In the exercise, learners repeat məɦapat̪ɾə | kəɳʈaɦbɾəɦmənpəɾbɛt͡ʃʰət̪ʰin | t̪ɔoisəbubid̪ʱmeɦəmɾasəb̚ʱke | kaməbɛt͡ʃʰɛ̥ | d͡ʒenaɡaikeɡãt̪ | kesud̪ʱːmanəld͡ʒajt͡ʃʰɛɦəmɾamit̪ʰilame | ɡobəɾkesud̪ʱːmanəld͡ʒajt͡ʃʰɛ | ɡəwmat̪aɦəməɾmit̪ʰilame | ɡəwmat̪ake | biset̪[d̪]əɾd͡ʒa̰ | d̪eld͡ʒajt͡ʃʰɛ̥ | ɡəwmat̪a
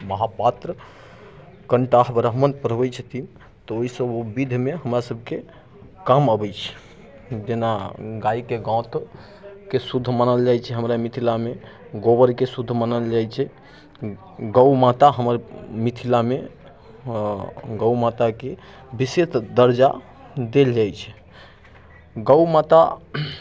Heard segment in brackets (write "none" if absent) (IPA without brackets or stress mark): d̪